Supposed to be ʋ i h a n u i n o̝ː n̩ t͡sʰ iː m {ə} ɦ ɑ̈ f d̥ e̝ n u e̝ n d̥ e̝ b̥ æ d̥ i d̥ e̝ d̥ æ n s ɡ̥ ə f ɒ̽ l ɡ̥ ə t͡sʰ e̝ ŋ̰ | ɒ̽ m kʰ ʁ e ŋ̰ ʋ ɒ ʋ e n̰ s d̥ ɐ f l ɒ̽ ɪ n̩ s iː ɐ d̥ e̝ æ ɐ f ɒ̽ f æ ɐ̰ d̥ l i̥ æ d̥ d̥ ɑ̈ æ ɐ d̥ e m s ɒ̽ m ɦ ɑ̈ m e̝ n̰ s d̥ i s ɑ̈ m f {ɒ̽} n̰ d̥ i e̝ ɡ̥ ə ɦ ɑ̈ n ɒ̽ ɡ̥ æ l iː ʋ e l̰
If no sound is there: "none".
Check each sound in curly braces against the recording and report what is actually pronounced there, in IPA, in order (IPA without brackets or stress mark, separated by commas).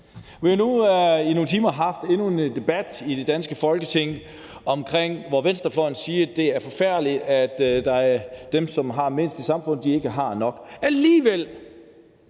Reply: ɐ, ɔ̽